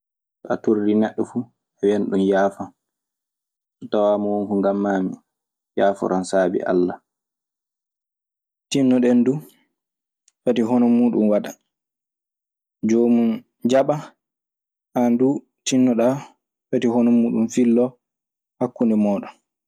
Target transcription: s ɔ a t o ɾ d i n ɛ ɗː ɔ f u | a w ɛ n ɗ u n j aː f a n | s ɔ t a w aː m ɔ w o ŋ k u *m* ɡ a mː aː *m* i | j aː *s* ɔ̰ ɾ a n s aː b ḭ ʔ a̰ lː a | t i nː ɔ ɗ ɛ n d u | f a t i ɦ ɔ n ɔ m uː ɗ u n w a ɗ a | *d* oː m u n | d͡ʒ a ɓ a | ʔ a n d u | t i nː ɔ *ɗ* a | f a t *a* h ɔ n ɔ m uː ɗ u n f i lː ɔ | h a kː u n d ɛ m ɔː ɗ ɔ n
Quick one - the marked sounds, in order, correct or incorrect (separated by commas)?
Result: incorrect, correct, incorrect, incorrect, correct, incorrect